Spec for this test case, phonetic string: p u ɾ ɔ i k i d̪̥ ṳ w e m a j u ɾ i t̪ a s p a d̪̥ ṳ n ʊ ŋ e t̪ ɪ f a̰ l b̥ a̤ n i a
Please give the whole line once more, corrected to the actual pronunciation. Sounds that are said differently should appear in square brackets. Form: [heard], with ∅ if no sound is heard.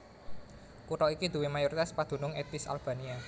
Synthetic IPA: [k] u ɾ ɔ i k i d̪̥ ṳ w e m a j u ɾ i t̪ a s p a d̪̥ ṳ n ʊ ŋ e t̪ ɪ [s] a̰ l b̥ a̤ n i a